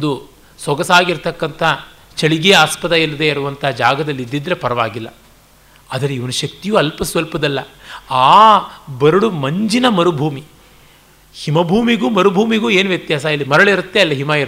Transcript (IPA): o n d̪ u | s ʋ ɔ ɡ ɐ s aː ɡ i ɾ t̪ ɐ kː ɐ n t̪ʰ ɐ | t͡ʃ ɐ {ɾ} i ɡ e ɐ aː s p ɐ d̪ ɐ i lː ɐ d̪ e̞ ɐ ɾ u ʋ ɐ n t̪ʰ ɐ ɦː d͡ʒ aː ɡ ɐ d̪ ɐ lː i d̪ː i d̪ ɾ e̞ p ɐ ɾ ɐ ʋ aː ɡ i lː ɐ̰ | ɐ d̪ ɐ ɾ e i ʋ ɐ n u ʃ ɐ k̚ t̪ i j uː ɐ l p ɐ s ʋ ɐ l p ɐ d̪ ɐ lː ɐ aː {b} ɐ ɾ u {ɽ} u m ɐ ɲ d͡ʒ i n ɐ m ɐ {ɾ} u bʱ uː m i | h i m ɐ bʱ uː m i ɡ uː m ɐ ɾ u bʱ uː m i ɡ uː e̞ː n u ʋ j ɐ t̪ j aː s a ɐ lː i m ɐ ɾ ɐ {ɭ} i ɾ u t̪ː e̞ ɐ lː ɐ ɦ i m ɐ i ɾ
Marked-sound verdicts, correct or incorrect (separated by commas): incorrect, correct, correct, correct, correct